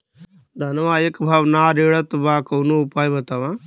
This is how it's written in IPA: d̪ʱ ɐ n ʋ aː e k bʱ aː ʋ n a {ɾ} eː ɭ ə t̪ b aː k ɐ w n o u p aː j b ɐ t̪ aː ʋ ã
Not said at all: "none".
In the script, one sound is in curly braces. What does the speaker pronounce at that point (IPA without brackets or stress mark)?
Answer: ɾ